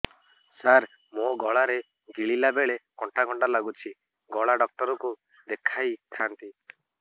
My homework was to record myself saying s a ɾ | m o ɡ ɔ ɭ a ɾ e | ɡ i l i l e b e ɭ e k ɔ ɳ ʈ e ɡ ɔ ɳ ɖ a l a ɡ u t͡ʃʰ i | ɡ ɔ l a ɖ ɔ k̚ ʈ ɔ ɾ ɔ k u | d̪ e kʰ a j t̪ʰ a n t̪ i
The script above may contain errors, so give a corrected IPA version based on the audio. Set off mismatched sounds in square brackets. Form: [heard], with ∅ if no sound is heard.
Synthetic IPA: s a ɾ | m o ɡ ɔ ɭ a ɾ e | ɡ i [ɭ] i l [a] b e ɭ e k ɔ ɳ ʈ [a] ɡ ɔ ɳ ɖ a l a ɡ u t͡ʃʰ i | ɡ ɔ [ɭ] a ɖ ɔ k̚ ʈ ɔ ɾ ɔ k u | d̪ e kʰ a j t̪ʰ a n t̪ i

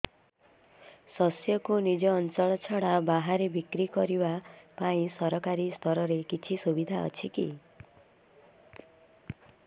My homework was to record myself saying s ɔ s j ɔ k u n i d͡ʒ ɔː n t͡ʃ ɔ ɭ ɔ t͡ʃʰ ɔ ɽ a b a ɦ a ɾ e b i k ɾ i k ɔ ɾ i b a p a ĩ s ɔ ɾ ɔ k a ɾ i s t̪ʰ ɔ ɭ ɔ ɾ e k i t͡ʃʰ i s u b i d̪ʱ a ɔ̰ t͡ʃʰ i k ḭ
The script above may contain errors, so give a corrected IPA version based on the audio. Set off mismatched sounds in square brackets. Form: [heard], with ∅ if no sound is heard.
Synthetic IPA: s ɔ s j ɔ k u n i d͡ʒ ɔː n t͡ʃ ɔ ɭ ɔ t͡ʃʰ ɔ ɽ a b a ɦ a ɾ e b i k ɾ i k ɔ ɾ i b a p a ĩ s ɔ ɾ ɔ k a ɾ i s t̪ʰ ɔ [ɾ] ɔ ɾ e k i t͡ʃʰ i s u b i d̪ʱ a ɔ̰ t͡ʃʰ i k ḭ

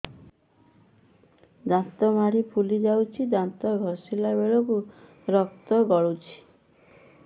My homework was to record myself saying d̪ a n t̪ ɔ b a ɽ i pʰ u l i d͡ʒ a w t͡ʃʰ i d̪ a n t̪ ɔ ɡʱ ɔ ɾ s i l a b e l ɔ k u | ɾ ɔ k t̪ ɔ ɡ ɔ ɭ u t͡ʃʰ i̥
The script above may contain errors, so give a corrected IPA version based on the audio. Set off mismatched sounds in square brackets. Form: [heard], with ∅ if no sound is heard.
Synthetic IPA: d̪ a n t̪ ɔ [m] a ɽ i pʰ u l i d͡ʒ a w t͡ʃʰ i d̪ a n t̪ ɔ ɡʱ ɔ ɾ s i l a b e [ɭ] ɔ k u | ɾ ɔ k t̪ ɔ ɡ ɔ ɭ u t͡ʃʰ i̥

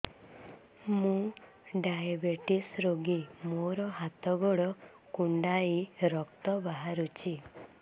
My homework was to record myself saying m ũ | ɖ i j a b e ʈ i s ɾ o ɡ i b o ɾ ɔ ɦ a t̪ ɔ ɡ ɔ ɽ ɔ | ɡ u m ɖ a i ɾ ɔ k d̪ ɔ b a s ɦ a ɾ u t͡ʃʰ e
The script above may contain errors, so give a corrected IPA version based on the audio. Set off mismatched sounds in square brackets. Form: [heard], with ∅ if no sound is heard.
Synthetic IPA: m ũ | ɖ [a] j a b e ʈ i s ɾ o ɡ i [m] o ɾ ɔ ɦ a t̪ ɔ ɡ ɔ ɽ ɔ | [k] u [ɳ] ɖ a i ɾ ɔ k [t̪] ɔ b a [∅] ɦ a ɾ u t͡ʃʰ [i]

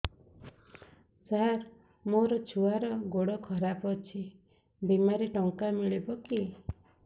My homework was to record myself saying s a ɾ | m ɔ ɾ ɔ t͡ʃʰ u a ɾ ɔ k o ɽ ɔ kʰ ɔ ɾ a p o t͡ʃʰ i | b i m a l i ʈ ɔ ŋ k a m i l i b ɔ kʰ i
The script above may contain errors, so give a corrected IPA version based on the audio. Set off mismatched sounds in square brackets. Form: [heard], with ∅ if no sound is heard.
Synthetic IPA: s a ɾ | m [o] ɾ ɔ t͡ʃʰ u a ɾ ɔ [ɡ] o ɽ ɔ kʰ ɔ ɾ a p [ɔ] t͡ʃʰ i | b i m a [ɾ] i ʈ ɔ ŋ k a m i [ɭ] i b ɔ [k] i

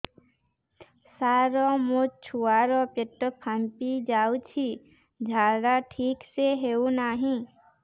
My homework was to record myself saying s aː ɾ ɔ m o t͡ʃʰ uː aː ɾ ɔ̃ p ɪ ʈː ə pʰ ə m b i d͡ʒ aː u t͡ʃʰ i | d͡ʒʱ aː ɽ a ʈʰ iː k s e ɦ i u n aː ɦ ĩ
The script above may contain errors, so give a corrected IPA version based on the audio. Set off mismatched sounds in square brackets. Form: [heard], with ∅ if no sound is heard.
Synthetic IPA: s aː ɾ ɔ m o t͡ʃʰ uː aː ɾ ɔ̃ p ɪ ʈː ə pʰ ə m [p] i d͡ʒ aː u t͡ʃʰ i | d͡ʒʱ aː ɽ a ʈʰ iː k s e ɦ [e] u n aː ɦ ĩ

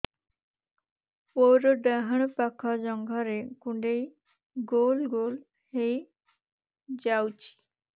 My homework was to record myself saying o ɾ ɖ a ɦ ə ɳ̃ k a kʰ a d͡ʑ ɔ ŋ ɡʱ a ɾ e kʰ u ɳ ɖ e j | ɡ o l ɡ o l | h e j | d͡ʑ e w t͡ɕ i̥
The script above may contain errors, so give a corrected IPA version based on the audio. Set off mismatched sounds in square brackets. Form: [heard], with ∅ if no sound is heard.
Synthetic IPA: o ɾ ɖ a ɦ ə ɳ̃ [p] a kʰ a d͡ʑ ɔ ŋ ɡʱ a ɾ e [k] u ɳ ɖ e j | ɡ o l ɡ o l | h e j | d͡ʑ [a] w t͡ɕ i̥

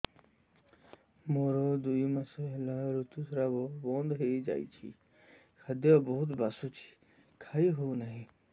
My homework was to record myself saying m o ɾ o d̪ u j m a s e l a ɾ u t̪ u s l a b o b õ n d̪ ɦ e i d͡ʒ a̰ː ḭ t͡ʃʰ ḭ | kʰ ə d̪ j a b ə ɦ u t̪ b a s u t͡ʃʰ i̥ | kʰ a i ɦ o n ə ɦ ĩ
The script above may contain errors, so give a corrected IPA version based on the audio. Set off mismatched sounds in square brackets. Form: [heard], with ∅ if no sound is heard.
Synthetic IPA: m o ɾ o d̪ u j m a s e l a ɾ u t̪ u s [ɾ] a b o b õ n d̪ ɦ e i d͡ʒ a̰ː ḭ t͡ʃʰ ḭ | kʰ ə d̪ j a b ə ɦ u t̪ b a s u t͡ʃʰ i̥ | kʰ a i ɦ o n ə ɦ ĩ

